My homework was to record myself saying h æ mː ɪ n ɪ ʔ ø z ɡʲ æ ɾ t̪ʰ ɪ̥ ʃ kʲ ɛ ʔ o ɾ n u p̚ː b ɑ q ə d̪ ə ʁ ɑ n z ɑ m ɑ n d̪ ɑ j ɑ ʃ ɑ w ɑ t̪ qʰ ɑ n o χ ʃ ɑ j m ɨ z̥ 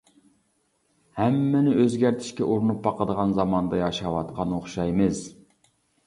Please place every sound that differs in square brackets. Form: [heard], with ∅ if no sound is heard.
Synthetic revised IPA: h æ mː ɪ n ɪ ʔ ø z ɡʲ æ ɾ t̪ʰ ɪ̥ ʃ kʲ ɛ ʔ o ɾ n u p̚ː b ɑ q ə d̪ ə ʁ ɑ n z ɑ m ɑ n d̪ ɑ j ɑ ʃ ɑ w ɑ t̪ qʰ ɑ n o χ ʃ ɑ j m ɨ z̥